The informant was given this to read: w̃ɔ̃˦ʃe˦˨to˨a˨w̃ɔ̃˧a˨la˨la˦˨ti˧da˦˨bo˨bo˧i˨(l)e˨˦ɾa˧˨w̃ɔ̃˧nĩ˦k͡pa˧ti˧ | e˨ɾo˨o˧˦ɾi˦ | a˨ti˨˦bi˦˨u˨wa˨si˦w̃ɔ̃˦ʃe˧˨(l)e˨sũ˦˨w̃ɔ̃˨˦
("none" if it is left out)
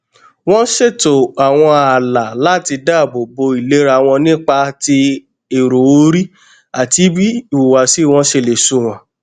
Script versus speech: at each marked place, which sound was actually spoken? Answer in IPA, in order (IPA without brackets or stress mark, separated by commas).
l, l